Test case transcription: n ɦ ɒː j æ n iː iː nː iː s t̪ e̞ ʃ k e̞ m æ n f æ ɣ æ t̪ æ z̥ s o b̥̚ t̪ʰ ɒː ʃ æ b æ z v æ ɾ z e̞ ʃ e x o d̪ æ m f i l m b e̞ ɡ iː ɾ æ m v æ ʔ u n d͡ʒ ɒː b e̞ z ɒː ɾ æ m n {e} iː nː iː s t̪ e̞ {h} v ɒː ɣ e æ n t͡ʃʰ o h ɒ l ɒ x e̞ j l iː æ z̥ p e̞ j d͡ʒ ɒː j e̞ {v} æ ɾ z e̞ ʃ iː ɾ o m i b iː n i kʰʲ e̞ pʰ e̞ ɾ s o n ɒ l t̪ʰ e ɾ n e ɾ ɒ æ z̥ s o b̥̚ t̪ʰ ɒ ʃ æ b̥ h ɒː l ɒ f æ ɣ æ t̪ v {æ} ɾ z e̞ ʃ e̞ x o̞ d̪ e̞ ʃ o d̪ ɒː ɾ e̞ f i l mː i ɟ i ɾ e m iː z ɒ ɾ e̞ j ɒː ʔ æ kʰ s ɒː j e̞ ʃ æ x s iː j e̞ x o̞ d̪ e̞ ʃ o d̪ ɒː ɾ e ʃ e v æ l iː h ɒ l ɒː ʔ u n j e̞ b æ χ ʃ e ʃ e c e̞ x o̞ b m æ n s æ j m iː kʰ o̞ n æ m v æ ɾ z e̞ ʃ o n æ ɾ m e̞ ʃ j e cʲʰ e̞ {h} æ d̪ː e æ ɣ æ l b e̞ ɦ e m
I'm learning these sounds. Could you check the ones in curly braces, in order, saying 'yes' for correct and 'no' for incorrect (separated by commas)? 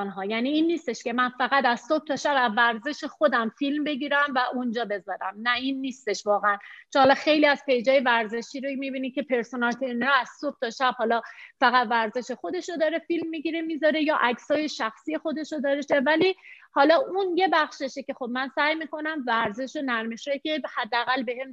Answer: no, no, yes, yes, yes